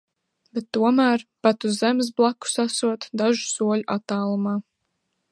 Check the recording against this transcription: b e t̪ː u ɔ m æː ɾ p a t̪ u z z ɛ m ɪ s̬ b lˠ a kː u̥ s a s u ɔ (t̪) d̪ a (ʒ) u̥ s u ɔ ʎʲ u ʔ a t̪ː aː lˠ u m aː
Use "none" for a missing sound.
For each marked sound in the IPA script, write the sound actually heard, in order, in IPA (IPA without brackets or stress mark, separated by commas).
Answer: t̪, ʒ